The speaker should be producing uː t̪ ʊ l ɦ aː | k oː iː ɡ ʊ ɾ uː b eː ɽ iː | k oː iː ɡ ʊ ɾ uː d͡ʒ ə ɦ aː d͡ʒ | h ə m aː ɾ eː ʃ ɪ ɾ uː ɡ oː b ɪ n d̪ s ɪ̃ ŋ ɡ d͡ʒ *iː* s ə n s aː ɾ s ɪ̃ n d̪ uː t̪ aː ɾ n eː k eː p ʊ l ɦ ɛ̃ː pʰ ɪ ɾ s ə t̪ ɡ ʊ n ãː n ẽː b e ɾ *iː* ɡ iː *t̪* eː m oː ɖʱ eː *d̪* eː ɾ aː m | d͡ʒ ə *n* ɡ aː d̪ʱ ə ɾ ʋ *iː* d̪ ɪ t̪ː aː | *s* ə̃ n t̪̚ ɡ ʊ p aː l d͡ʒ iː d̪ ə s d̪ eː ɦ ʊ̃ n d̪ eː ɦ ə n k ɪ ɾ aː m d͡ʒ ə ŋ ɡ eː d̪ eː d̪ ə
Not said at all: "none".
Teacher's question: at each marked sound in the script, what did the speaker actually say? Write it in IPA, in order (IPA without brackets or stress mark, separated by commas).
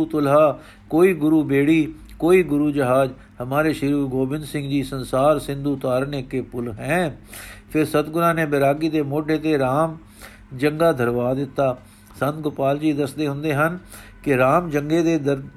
iː, aː, d̪, t̪, ŋ, aː, s